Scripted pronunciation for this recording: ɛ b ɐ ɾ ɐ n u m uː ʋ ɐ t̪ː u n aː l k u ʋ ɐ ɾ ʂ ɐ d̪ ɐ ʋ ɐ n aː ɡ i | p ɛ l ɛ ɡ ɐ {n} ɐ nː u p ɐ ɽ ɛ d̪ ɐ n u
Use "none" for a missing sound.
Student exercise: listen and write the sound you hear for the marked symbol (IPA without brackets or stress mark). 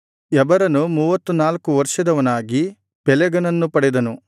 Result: n